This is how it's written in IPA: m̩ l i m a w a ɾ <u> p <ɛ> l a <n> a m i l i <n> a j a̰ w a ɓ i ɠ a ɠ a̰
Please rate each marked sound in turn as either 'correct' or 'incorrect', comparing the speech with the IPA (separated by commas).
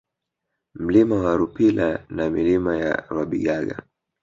correct, incorrect, correct, incorrect